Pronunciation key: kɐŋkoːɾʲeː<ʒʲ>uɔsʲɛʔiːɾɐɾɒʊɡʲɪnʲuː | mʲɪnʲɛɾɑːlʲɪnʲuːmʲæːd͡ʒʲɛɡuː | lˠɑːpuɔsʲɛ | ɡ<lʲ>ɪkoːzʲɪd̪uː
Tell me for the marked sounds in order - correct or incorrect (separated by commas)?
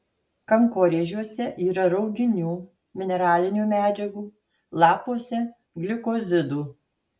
correct, correct